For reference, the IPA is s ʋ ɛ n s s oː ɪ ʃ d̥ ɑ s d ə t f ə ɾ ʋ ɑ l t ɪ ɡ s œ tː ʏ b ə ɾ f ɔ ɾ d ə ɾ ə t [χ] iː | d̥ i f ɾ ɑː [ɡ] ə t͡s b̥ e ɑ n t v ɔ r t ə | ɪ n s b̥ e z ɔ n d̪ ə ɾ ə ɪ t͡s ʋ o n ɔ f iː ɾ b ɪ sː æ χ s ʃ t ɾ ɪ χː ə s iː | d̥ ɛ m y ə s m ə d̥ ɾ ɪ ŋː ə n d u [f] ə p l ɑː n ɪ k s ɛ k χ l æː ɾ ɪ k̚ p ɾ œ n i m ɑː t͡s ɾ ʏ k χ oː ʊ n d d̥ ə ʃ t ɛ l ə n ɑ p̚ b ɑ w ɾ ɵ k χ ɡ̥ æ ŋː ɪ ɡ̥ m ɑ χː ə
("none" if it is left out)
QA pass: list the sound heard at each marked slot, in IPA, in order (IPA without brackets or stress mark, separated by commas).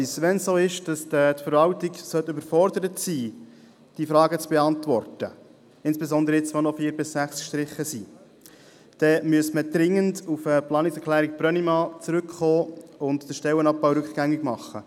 s, ɡ, f